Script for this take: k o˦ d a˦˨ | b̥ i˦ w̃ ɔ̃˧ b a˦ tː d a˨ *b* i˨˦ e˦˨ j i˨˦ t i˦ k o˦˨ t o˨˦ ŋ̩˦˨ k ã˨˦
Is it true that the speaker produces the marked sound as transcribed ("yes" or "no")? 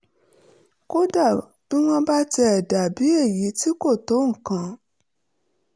yes